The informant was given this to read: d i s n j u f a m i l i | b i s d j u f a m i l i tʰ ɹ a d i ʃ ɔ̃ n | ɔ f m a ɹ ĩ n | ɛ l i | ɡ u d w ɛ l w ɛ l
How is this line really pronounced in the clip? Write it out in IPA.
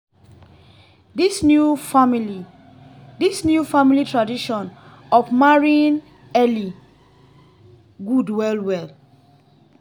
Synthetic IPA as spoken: d i s n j u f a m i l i | d i s n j u f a m i l i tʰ ɹ a d i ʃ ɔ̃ n | ɔ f m a ɹ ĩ n | ɛ l i | ɡ u d w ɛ l w ɛ l